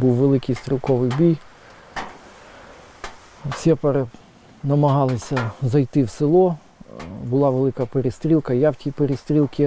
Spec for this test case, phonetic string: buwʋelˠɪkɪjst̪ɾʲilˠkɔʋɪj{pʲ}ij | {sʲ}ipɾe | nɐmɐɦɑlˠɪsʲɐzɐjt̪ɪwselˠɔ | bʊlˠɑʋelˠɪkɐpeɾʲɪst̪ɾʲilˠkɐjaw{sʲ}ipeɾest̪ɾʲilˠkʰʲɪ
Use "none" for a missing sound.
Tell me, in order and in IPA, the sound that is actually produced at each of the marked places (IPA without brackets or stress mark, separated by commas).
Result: bʲ, sʲ, tʲ